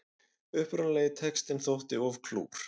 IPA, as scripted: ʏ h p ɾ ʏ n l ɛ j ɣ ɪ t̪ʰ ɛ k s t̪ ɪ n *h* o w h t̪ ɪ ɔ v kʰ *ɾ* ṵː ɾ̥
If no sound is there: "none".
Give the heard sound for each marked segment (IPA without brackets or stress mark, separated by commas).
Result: θ, l